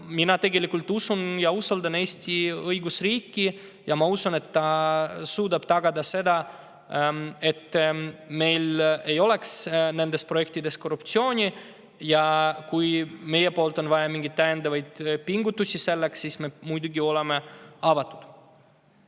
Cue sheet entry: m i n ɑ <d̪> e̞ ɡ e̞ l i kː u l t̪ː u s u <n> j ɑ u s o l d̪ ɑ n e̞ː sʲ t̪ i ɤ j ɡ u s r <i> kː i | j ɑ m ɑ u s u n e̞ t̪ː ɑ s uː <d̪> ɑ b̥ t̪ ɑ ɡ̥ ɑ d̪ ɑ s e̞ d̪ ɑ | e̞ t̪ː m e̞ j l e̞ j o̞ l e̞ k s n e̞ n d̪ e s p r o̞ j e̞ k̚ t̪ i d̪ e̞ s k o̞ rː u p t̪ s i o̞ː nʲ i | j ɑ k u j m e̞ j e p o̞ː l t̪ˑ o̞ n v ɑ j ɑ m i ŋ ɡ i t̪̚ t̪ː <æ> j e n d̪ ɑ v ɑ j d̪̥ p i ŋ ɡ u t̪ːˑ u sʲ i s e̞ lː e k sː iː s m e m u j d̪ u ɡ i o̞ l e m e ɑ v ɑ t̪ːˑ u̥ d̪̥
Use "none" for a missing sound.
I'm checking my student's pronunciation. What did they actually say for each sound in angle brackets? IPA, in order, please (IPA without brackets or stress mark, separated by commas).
t̪, n, iː, d̪, æ